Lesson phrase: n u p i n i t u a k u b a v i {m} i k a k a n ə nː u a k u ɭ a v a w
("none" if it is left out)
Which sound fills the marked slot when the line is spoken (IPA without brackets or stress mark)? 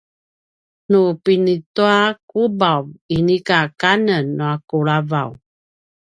n